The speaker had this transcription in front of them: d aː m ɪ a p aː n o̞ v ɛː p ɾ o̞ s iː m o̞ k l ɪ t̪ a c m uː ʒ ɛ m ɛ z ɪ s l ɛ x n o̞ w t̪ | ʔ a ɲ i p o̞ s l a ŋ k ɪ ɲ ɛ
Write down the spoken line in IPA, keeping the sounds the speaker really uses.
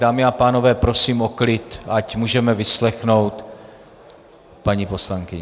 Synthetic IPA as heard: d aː m ɪ a p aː n o̞ v ɛː p ɾ o̞ s iː m o̞ k l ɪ t̪ a c m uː ʒ ɛ m ɛ v ɪ s l ɛ x n o̞ w t̪ | p a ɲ i p o̞ s l a ŋ k ɪ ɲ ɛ

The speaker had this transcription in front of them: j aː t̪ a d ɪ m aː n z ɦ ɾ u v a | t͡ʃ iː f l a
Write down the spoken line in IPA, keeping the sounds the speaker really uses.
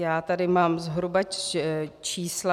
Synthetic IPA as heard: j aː t̪ a d ɪ m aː m z ɦ ɾ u b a | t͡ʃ iː s l a

